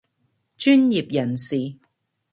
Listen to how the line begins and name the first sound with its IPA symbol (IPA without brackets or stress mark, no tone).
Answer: t͡ʃ